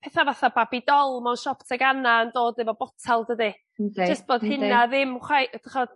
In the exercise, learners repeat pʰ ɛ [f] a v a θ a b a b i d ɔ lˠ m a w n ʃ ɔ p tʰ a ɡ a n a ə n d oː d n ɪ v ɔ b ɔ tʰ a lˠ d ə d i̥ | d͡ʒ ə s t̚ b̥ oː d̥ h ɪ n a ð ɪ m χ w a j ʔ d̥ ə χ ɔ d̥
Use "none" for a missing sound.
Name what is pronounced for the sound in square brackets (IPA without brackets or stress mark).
θ